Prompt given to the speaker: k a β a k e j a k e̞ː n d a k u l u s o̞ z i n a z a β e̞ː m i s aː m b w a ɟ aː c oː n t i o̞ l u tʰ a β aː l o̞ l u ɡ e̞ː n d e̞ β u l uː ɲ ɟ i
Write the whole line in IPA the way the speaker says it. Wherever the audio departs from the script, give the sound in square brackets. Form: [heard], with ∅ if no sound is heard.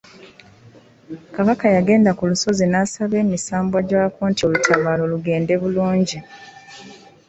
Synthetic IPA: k a β a k [a] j a [ɡ] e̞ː n d a k u l u s o̞ z i n a [s] a β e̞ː m i s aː m b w a ɟ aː [k] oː n t i o̞ l u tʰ a β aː l o̞ l u ɡ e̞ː n d e̞ β u l uː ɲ ɟ i